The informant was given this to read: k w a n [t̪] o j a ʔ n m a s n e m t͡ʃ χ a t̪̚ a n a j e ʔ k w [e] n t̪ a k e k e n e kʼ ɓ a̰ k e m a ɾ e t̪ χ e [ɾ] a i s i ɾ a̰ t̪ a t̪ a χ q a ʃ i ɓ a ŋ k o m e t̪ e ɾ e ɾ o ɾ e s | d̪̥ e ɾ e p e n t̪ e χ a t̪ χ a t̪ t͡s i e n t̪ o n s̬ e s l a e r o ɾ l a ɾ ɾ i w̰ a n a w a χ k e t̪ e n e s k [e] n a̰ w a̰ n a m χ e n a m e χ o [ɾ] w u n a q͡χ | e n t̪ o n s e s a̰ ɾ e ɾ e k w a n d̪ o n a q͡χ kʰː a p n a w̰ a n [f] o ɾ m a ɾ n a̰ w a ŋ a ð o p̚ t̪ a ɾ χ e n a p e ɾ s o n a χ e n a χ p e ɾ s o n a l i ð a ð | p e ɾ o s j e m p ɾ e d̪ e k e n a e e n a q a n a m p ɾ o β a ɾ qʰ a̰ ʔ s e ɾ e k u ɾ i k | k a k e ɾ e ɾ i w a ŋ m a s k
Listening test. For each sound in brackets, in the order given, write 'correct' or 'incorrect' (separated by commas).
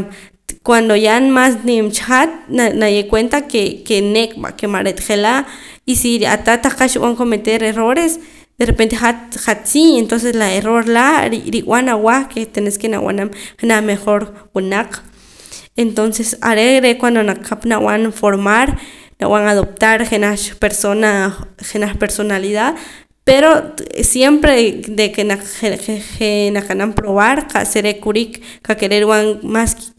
incorrect, correct, incorrect, correct, correct, correct